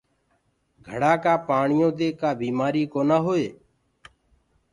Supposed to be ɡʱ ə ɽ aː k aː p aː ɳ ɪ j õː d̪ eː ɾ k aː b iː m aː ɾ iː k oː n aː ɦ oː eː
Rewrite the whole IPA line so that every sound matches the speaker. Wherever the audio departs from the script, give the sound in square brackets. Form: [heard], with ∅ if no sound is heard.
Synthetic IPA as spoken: ɡʱ ə ɽ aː k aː p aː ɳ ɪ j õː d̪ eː [∅] k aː b iː m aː ɾ iː k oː n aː ɦ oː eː